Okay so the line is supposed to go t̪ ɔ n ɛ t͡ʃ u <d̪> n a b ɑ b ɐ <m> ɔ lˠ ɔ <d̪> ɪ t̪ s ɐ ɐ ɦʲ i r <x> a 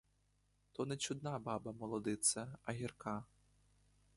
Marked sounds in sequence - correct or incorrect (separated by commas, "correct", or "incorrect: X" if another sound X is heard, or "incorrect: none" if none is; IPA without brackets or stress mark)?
correct, correct, correct, incorrect: k